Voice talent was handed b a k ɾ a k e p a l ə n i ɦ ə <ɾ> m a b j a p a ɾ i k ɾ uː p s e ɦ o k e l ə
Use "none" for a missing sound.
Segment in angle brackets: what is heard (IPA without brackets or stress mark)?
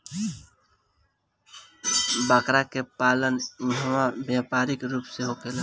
none